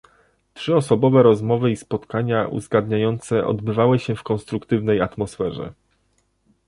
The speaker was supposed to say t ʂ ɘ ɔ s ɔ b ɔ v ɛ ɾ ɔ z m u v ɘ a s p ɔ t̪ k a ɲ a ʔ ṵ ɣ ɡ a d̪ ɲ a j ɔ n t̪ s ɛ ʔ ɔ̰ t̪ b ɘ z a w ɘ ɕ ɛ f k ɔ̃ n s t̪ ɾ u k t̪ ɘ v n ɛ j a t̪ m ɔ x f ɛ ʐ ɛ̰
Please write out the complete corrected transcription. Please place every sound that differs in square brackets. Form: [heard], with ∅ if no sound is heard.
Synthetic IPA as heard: t ʂ ɘ ɔ s ɔ b ɔ v ɛ ɾ ɔ z m [ɔ] v ɘ [i] s p ɔ t̪ k a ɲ a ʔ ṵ [z] ɡ a d̪ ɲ a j ɔ n t̪ s ɛ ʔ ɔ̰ [d̪] b ɘ [v] a w ɘ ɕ ɛ f k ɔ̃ n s t̪ ɾ u k t̪ ɘ v n ɛ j a t̪ m ɔ [s] f ɛ ʐ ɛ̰